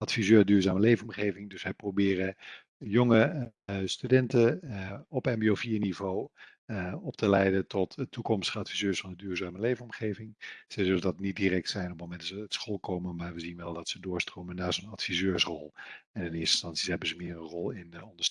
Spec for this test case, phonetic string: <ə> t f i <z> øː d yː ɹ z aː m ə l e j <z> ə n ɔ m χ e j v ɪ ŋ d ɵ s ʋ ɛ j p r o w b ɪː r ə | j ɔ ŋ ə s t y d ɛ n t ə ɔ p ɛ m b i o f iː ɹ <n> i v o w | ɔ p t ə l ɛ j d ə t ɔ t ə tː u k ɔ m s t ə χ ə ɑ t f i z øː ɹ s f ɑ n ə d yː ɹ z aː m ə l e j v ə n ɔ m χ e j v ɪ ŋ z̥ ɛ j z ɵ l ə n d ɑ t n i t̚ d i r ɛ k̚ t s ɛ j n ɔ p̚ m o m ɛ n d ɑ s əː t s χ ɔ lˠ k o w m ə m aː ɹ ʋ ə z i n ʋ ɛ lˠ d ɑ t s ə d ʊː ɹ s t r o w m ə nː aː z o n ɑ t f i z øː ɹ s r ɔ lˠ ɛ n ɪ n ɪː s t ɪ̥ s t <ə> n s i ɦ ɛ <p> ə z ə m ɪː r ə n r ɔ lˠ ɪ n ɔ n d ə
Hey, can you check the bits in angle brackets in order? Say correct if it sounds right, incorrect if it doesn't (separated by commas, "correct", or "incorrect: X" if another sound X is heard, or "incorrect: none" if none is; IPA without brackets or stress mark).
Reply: incorrect: ɑ, correct, incorrect: v, correct, incorrect: ɑ, incorrect: b